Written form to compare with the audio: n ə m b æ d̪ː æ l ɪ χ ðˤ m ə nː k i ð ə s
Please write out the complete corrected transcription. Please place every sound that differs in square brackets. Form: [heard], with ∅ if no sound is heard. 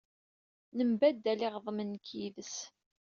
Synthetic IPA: n ə m b æ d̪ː æ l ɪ [ʁ] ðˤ m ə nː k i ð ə s